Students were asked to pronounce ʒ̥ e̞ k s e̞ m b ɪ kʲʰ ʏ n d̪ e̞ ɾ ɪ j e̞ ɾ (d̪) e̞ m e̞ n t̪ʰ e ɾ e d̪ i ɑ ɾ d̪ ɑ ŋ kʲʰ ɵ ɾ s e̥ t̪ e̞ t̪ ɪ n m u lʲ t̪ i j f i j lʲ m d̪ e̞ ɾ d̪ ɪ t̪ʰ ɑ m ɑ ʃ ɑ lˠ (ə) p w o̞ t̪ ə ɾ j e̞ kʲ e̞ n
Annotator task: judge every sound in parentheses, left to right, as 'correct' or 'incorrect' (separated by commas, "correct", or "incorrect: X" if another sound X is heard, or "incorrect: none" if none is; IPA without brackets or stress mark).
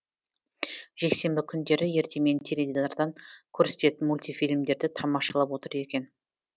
incorrect: t̪, incorrect: ɑ